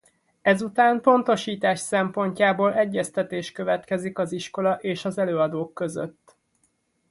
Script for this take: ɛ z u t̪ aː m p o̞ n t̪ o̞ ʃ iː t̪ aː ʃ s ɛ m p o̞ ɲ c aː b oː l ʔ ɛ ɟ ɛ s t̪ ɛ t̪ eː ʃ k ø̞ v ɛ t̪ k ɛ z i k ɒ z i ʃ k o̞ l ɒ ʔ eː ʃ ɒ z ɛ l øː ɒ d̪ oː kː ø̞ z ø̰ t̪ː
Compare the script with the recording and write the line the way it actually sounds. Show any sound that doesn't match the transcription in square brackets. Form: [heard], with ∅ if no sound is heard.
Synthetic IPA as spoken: ɛ z u t̪ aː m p o̞ n t̪ o̞ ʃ iː t̪ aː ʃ s ɛ m p o̞ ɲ c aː b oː l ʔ ɛ [ɟː] ɛ s t̪ ɛ t̪ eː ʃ k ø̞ v ɛ t̪ k ɛ z i k ɒ z i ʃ k o̞ l ɒ ʔ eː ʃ ɒ z ɛ l øː ɒ d̪ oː kː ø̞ z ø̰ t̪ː